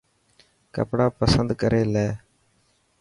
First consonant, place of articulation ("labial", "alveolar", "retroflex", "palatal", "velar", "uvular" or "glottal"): velar